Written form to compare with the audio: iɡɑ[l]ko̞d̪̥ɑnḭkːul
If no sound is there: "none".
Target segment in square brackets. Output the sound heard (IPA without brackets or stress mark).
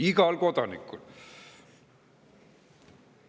l